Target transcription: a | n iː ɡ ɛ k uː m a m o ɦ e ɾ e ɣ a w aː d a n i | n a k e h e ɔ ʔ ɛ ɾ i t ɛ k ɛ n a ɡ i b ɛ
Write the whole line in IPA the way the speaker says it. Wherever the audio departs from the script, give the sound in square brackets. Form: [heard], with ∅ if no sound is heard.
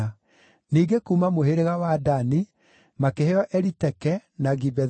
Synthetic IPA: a | n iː ɡ [e] k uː m a m o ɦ e ɾ e ɣ a w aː d a n i | [m] a k e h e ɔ ʔ ɛ ɾ i t ɛ k ɛ n a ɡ i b ɛ